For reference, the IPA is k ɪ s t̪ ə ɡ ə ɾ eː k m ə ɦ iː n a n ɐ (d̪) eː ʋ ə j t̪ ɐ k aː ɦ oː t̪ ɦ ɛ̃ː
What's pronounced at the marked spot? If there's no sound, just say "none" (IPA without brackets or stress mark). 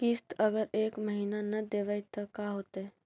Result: d̪